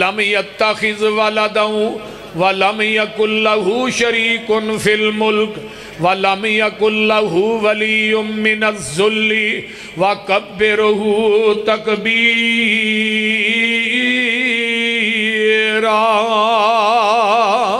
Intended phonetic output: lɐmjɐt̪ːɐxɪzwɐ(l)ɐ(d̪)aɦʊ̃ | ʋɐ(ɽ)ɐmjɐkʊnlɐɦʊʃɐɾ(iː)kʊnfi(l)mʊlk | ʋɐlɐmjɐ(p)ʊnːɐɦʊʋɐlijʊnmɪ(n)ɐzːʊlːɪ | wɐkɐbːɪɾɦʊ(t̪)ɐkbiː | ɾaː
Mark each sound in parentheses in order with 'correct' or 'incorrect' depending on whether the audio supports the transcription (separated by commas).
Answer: correct, correct, incorrect, correct, correct, incorrect, correct, correct